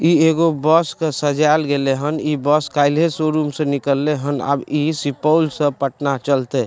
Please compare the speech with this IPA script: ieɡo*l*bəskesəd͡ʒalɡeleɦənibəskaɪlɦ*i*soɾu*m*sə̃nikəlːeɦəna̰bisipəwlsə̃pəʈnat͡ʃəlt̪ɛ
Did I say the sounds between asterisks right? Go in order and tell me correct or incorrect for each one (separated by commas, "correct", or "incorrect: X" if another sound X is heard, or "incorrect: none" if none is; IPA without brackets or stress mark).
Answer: incorrect: none, incorrect: e, correct